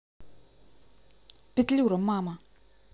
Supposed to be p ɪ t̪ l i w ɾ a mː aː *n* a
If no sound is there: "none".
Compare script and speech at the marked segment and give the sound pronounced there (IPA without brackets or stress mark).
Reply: m